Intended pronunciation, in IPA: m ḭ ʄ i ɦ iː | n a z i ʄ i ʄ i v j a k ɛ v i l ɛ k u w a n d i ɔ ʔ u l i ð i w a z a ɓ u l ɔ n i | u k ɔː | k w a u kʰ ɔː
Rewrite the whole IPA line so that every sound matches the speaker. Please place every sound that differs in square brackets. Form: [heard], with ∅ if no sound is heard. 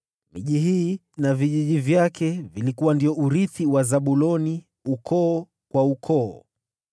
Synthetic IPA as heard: m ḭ ʄ i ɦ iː | n a [v] i ʄ i ʄ i v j a k ɛ v i l [i] k u w a n d i ɔ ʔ u [ɾ] i [θ] i w a z a ɓ u l ɔ n i | u k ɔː | k w a u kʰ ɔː